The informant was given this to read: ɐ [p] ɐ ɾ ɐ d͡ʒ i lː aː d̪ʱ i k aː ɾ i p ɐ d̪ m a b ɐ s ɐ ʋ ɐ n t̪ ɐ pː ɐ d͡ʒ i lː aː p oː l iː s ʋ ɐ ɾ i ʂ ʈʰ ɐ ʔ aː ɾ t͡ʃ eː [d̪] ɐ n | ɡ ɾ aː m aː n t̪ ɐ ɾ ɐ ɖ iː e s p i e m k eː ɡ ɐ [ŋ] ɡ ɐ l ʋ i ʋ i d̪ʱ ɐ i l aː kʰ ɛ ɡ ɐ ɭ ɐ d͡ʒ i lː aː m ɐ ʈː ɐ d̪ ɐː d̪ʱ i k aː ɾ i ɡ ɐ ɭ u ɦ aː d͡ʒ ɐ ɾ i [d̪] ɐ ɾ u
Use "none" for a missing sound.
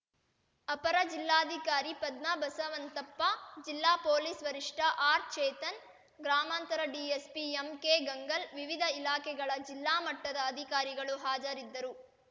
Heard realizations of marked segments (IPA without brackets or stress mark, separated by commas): p, t̪, ŋ, d̪ː